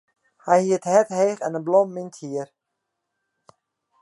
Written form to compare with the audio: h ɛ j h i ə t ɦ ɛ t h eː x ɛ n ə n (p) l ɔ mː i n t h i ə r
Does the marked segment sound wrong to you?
yes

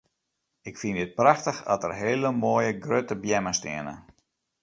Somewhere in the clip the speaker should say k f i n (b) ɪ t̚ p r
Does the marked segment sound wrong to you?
yes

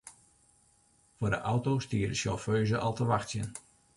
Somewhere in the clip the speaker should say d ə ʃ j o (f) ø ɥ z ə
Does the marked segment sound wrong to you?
no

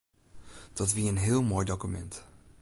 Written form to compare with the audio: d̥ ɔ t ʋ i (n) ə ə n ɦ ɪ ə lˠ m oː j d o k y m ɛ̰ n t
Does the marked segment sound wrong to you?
yes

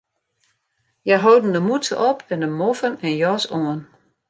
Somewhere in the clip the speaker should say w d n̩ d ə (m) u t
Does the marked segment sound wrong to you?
no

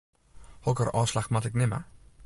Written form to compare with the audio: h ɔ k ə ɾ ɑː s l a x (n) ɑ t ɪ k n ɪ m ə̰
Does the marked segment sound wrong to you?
yes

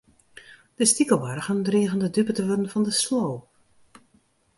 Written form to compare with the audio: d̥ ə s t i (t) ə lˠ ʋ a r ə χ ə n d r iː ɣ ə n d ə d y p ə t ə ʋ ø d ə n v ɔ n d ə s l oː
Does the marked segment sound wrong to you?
yes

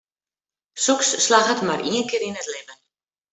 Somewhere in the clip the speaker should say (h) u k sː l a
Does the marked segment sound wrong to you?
yes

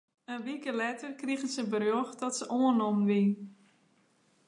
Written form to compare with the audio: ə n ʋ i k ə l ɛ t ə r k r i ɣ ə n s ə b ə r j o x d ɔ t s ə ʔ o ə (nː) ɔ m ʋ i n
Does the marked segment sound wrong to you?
yes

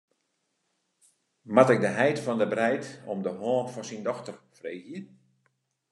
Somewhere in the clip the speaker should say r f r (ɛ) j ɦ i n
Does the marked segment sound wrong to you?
yes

